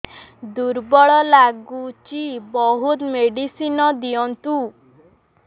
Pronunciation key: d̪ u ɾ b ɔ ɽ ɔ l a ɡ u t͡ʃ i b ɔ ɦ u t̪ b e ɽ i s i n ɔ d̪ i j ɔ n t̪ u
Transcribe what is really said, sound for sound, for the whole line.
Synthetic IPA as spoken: d̪ u ɾ b ɔ ɭ ɔ l a ɡ u t͡ʃ i b ɔ ɦ u t̪ m e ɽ i s i n ɔ d̪ i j ɔ n t̪ u